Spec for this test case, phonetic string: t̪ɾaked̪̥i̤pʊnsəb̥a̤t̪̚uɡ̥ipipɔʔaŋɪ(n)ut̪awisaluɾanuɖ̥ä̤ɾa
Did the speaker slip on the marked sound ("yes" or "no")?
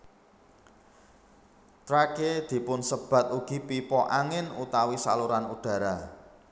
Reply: no